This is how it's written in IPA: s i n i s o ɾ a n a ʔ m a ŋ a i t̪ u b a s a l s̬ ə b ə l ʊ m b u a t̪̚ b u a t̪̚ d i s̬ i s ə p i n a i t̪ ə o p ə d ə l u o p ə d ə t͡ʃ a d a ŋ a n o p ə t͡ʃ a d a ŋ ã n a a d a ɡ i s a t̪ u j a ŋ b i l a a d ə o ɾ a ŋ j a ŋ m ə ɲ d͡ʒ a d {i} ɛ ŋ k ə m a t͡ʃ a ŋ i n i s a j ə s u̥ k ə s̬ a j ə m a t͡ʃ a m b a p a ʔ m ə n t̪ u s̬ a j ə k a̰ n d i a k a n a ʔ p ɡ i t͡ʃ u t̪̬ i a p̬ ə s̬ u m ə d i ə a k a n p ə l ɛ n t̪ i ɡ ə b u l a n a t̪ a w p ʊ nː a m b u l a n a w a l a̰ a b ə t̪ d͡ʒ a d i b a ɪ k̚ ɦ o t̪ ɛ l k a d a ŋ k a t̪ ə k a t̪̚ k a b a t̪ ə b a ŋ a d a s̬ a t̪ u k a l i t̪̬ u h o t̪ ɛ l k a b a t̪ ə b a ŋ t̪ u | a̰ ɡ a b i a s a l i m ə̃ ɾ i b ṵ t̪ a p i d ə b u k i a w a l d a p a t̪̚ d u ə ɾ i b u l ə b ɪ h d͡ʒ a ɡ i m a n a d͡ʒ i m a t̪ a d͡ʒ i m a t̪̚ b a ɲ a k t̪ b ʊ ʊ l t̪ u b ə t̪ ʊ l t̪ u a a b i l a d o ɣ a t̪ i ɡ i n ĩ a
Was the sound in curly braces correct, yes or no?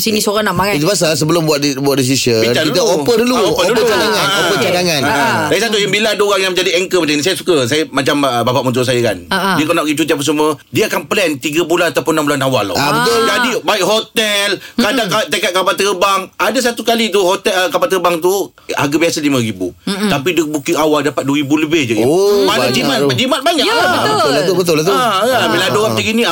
yes